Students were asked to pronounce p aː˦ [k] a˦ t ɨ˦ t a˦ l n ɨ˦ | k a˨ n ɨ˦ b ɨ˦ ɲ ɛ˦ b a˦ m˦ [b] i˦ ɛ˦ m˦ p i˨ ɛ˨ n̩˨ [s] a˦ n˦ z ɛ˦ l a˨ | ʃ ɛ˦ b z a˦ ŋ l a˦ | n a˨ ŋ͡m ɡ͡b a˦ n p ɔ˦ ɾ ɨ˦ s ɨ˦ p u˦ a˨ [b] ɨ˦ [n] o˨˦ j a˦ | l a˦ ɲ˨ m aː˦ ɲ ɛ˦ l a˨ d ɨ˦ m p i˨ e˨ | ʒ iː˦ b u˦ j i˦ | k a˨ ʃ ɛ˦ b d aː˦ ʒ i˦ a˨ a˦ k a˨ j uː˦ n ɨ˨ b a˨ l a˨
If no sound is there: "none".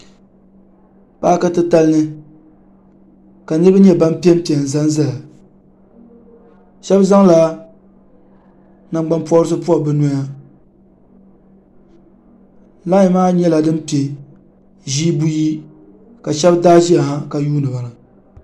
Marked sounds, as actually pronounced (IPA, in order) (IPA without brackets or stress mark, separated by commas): k, p, z, b, n